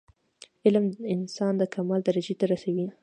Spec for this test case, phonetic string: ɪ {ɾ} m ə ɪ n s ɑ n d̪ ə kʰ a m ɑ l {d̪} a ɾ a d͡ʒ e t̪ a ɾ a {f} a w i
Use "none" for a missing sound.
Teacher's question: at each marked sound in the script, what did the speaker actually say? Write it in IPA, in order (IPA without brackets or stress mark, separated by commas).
l, d̪, s